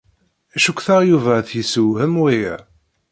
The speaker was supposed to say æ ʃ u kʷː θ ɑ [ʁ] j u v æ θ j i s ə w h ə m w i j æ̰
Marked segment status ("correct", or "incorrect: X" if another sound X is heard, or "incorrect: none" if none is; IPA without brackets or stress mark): correct